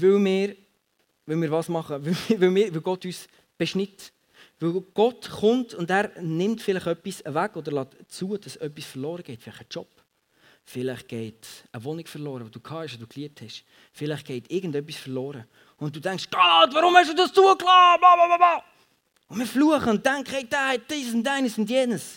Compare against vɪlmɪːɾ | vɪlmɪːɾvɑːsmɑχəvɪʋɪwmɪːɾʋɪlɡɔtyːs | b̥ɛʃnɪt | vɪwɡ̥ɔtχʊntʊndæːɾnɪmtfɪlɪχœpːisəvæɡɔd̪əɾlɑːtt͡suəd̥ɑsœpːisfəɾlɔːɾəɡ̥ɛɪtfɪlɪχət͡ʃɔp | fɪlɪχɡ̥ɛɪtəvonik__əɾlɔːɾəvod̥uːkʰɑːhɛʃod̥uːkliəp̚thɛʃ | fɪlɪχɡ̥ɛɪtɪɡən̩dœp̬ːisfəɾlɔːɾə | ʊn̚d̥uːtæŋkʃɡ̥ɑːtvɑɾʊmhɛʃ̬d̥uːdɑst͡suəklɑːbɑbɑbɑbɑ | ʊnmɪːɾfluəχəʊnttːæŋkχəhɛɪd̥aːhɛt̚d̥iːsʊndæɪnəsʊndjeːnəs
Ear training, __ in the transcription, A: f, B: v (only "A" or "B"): A